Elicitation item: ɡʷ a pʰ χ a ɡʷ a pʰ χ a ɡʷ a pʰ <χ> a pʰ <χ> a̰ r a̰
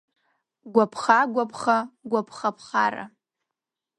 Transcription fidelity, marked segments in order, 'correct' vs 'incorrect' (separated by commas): correct, correct